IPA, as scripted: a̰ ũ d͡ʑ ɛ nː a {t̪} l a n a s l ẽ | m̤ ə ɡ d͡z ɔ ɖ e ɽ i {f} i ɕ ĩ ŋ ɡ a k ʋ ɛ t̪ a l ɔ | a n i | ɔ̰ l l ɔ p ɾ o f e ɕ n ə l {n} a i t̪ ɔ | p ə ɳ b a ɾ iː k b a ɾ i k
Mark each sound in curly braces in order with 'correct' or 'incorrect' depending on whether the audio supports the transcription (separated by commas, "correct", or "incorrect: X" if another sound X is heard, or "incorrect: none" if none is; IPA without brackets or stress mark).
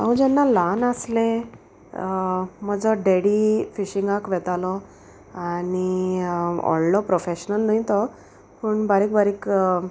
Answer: incorrect: none, correct, correct